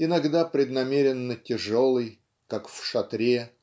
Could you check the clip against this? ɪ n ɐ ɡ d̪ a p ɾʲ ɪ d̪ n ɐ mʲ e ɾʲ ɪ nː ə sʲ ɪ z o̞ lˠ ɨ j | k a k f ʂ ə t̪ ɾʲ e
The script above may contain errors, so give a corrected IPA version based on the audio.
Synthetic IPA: ɪ n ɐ ɡ d̪ a p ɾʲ ɪ d̪ n ɐ mʲ e ɾʲ ɪ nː ə tʲ ɪ ʐ o̞ lˠ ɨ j | k a k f ʂ ɐ t̪ ɾʲ e